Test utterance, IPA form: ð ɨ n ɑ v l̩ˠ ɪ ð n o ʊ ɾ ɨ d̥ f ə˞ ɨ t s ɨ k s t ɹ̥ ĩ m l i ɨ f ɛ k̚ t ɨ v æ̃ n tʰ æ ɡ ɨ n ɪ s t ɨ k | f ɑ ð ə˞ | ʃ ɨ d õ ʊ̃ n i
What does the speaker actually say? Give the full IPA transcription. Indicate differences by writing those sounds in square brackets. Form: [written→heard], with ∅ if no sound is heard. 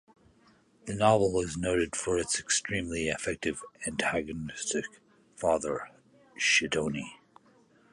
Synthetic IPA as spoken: ð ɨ n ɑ v l̩ˠ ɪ [ð→z] n o ʊ ɾ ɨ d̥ f ə˞ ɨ t s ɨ k s t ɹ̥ ĩ m l i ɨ f ɛ k̚ t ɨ v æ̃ n tʰ æ ɡ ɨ n ɪ s t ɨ k | f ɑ ð ə˞ | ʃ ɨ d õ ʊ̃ n i